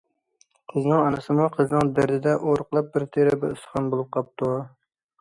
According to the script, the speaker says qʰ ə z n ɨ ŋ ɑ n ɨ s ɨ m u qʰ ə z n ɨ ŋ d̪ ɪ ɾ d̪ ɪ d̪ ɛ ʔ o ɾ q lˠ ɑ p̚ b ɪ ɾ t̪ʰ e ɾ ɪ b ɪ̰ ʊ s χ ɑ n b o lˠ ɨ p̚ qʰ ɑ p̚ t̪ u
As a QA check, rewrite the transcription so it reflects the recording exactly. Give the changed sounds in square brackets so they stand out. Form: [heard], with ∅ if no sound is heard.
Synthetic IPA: qʰ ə z n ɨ ŋ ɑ n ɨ s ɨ m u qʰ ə z n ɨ ŋ d̪ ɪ ɾ d̪ ɪ d̪ ɛ ʔ o ɾ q lˠ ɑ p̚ b ɪ ɾ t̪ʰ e ɾ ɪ b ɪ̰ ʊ s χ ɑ n b o lˠ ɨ p̚ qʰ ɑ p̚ t̪ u